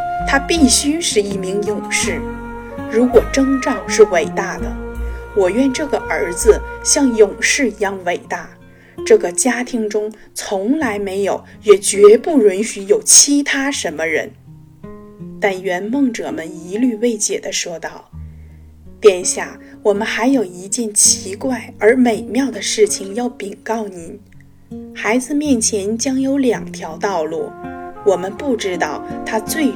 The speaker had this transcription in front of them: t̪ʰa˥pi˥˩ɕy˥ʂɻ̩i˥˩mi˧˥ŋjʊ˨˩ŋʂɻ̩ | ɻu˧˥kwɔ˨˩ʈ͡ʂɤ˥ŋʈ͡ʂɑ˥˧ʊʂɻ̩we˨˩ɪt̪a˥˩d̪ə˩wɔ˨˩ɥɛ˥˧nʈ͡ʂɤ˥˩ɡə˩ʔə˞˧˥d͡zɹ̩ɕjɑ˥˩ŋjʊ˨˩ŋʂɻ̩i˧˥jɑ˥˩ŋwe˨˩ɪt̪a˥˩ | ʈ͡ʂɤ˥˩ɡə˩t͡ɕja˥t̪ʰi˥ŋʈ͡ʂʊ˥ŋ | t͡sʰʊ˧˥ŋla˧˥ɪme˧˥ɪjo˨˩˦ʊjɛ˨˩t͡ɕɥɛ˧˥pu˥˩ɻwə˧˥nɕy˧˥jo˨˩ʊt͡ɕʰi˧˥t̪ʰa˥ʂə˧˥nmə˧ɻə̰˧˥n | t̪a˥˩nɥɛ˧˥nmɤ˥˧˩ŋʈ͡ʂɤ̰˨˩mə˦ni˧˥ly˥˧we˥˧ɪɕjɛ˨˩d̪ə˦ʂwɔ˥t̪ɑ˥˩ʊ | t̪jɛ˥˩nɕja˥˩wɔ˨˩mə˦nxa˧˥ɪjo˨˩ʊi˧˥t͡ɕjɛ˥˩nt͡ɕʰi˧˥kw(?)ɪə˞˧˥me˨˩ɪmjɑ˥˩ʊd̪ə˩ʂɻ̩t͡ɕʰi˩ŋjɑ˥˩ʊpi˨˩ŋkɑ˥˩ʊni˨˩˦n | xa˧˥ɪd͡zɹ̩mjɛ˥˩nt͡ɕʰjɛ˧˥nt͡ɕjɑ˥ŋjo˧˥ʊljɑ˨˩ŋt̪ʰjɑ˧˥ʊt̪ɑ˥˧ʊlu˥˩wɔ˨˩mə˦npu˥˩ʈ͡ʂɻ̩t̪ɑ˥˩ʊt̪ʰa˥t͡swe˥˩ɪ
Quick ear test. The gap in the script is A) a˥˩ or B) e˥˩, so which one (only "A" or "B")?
A